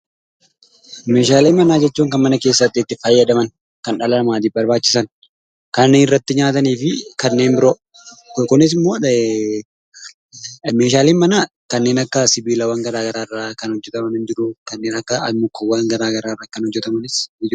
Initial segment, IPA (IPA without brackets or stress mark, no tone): m